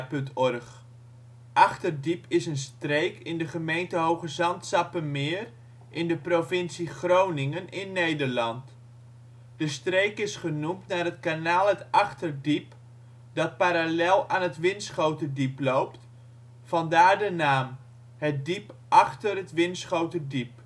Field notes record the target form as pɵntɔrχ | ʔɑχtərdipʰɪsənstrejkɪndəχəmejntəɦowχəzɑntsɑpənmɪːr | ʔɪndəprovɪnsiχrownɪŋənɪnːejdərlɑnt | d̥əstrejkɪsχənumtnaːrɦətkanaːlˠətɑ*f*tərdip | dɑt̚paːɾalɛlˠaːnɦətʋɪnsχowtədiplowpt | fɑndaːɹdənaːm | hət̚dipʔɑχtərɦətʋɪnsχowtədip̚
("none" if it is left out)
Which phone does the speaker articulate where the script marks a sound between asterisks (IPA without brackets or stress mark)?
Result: χ